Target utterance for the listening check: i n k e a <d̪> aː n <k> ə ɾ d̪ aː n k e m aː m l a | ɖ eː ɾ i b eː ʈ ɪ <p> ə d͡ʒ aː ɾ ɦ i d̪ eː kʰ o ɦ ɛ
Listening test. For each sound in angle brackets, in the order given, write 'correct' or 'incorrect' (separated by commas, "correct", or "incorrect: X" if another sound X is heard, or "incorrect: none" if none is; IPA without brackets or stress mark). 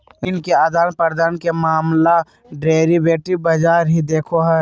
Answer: correct, incorrect: p, incorrect: b